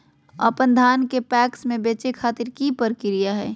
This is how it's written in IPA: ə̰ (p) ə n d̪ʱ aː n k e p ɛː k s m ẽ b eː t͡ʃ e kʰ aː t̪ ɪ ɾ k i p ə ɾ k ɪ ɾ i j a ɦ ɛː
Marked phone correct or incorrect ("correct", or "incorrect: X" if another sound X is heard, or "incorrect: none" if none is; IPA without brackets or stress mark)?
correct